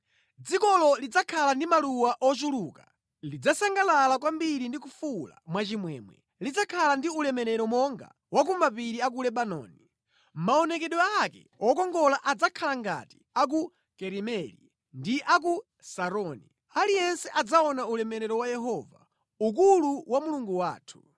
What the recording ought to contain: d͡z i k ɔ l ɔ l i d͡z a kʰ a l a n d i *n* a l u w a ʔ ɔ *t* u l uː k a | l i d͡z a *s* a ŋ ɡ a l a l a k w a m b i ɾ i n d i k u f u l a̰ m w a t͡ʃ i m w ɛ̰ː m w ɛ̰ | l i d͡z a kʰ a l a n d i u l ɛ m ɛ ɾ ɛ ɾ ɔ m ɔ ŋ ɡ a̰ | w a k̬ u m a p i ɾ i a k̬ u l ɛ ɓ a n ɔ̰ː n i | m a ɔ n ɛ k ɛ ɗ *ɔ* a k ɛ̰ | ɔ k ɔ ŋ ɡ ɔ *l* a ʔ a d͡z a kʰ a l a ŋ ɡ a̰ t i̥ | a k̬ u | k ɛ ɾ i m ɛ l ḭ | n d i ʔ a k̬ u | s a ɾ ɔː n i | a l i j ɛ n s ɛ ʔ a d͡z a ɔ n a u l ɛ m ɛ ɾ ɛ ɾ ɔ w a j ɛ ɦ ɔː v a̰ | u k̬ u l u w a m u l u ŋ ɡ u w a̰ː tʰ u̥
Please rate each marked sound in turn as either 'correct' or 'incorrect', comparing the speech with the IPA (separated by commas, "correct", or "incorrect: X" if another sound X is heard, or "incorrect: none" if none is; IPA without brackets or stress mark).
incorrect: m, incorrect: t͡ʃ, correct, correct, correct